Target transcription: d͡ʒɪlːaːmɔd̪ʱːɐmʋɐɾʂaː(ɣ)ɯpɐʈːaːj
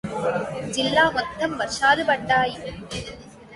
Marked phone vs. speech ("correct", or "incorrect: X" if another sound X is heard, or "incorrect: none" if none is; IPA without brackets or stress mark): incorrect: ð